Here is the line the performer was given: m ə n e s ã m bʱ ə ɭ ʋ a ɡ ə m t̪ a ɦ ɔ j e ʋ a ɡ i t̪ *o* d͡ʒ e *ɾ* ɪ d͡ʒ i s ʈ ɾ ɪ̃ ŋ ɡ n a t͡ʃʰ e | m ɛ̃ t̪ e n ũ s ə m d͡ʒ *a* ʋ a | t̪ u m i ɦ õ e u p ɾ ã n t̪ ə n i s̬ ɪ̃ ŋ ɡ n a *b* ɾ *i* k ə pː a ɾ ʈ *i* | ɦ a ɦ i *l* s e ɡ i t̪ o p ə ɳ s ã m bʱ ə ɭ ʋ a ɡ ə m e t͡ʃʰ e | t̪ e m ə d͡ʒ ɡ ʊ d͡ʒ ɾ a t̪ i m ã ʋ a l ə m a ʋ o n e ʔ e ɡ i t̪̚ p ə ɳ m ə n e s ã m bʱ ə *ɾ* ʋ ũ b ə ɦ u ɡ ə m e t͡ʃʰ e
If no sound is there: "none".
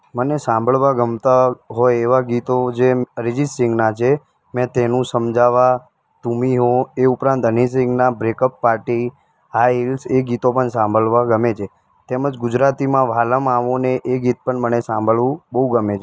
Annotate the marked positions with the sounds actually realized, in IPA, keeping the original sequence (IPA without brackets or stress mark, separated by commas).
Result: o, ɾ, a, b, e, i, l, ɭ